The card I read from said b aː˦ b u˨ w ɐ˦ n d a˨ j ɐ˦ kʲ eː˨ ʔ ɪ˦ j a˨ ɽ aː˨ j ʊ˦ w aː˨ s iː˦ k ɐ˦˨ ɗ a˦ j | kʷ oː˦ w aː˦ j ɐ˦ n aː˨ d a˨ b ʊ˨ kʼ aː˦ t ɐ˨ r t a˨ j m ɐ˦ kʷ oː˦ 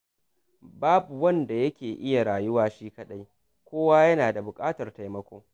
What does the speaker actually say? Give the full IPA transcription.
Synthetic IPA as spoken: b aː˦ b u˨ w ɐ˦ n d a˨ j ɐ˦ kʲ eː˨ ʔ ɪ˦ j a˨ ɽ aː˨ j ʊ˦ w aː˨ ʃ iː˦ k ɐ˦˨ ɗ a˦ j | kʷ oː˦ w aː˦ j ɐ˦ n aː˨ d a˨ b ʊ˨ kʼ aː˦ t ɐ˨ r t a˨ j m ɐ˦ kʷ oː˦